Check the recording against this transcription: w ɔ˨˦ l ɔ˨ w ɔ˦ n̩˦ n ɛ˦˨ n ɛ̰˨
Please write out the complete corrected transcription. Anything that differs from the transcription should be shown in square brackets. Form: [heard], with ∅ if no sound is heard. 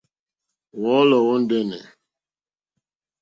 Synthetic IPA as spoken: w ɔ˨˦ l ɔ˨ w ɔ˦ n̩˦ [d] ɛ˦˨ n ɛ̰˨